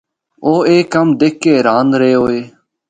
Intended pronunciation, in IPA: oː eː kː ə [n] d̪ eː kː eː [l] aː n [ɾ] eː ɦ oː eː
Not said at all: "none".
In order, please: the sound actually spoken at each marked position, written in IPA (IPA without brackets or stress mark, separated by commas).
m, ɾ, ɾ